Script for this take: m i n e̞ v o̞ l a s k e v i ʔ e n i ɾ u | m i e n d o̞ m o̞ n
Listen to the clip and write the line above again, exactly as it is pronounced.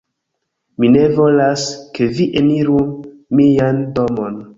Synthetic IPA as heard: m i n e̞ v o̞ l a s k e v i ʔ e n i ɾ u | m i a n d o̞ m o̞ n